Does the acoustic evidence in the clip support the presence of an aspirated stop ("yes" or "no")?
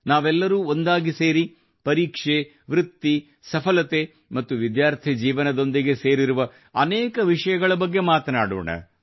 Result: yes